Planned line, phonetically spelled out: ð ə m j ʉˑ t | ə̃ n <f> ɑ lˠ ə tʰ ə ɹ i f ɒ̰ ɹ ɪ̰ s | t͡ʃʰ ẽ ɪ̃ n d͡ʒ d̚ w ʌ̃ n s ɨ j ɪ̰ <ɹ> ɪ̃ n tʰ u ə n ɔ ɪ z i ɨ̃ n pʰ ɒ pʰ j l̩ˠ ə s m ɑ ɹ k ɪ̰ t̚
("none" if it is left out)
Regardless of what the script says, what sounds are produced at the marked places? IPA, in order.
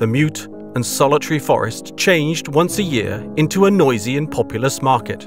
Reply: s, ɹ

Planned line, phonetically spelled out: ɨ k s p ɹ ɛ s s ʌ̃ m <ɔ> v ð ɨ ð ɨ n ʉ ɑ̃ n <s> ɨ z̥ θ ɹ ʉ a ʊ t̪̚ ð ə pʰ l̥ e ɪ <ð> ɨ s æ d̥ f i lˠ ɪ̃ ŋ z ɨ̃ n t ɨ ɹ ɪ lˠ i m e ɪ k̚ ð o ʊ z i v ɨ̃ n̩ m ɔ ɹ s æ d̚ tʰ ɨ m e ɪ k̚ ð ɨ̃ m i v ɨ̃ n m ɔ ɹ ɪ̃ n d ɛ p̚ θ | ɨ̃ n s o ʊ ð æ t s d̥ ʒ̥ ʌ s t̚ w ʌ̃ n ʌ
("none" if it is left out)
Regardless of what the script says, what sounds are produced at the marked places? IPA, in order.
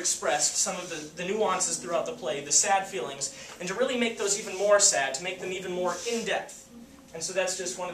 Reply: ʌ, s, ð

